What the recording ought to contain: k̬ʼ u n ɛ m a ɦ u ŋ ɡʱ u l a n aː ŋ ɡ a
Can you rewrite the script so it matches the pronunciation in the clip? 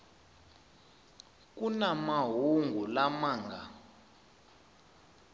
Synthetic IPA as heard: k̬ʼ u n a m a ɦ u ŋ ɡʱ u l a m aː ŋ ɡ a